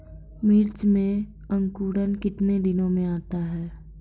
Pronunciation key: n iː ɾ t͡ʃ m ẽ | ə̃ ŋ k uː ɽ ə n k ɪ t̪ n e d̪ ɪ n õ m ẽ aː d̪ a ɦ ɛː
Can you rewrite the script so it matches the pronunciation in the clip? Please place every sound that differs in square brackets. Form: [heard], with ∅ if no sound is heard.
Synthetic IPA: [m] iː ɾ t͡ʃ m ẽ | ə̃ ŋ k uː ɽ ə n k ɪ t̪ n e d̪ ɪ n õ m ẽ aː [t̪] a ɦ ɛː